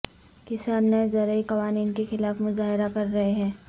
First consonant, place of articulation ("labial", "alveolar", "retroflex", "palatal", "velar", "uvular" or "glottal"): velar